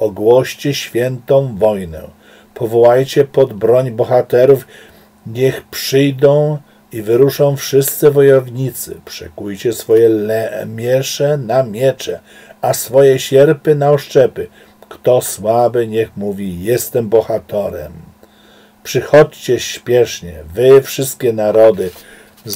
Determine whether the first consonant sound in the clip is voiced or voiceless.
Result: voiced